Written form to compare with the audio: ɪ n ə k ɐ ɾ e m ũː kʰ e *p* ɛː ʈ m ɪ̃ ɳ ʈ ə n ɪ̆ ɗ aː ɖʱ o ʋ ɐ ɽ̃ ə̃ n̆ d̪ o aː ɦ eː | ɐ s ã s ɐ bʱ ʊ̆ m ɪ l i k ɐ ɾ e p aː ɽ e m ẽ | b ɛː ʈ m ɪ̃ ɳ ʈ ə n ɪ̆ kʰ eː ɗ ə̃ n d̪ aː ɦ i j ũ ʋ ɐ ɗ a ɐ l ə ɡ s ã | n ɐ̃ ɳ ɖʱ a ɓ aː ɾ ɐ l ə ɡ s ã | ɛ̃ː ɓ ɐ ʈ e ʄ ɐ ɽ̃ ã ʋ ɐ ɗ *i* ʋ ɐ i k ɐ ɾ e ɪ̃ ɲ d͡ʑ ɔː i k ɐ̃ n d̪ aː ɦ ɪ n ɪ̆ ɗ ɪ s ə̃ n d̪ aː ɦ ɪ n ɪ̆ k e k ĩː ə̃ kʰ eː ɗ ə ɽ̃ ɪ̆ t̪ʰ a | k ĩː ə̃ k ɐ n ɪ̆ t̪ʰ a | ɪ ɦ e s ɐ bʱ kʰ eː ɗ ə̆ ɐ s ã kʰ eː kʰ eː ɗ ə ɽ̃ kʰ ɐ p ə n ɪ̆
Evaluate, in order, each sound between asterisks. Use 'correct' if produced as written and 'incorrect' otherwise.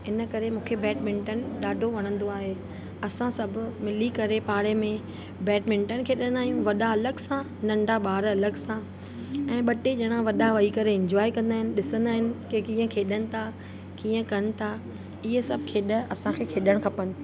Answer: incorrect, incorrect

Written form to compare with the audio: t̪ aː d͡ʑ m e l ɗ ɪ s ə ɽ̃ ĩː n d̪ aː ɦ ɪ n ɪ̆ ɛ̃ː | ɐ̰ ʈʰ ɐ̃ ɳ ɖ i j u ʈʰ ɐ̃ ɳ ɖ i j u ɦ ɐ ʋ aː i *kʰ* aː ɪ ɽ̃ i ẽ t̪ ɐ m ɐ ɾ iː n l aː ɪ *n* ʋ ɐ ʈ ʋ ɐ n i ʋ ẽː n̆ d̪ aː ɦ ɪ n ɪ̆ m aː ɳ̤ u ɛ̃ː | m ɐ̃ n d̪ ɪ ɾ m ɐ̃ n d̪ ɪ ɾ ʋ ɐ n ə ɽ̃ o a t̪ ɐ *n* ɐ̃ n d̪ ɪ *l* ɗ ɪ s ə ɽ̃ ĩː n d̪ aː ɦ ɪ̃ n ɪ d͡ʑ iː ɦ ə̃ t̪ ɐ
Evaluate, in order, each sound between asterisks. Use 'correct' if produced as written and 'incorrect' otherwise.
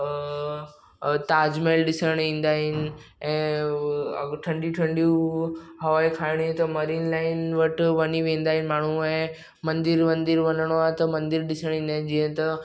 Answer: correct, correct, incorrect, incorrect

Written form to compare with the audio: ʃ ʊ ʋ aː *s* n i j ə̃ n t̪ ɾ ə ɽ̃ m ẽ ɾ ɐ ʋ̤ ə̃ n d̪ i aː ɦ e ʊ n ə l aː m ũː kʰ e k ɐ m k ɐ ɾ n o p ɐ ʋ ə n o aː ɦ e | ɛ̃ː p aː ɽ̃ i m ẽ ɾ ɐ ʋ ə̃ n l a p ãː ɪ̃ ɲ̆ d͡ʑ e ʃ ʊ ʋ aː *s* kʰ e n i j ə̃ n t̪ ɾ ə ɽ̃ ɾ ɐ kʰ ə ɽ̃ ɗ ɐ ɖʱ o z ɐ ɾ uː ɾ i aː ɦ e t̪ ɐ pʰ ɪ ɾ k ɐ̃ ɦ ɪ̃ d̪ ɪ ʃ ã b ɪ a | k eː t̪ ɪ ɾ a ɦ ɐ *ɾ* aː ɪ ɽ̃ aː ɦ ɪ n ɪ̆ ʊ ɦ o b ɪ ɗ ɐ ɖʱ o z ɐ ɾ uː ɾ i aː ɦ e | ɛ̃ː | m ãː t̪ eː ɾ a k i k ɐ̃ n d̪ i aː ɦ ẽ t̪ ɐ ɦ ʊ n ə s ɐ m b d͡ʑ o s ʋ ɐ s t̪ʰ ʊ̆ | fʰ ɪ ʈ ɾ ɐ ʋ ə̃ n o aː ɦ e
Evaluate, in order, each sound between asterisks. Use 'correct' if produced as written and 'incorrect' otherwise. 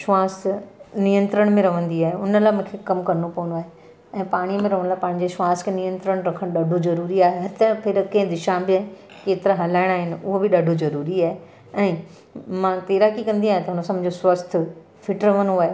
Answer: correct, correct, incorrect

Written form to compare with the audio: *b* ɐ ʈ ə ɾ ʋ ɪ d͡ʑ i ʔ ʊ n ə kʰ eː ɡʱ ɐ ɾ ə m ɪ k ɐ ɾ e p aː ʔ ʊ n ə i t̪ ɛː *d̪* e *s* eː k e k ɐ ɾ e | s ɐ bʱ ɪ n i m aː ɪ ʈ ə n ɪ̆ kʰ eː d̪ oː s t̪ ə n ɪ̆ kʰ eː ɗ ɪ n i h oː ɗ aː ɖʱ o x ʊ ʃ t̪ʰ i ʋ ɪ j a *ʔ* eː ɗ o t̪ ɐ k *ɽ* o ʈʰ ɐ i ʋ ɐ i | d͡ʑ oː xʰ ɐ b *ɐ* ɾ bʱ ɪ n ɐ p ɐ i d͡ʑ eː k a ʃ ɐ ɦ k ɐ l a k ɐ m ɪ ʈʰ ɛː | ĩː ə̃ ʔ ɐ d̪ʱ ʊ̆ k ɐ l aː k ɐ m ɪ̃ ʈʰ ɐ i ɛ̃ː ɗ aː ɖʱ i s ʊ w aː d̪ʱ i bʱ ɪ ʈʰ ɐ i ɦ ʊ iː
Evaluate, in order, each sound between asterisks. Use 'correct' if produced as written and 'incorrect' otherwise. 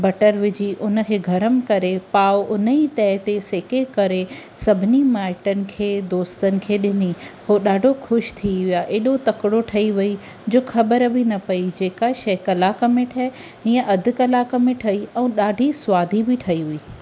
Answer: correct, incorrect, correct, correct, correct, incorrect

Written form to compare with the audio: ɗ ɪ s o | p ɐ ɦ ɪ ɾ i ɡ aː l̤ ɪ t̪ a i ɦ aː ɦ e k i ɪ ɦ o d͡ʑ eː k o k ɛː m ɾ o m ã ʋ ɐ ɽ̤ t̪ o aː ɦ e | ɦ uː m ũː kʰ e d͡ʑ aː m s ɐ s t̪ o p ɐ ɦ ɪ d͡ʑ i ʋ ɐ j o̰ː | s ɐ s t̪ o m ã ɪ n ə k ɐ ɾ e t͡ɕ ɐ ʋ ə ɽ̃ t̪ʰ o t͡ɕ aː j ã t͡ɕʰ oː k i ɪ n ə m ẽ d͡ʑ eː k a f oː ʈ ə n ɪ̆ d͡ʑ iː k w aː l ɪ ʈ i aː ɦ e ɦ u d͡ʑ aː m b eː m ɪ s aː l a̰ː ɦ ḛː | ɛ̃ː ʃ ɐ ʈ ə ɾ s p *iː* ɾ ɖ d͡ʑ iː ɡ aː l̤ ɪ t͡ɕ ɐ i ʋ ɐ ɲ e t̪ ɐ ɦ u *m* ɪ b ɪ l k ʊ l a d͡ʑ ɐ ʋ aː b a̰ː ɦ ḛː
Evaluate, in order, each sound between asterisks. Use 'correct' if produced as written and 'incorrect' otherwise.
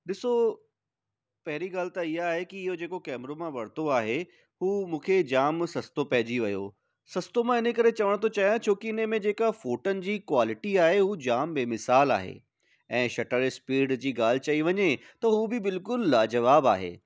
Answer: correct, incorrect

